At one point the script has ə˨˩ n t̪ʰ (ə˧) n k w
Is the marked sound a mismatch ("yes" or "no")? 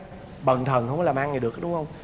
yes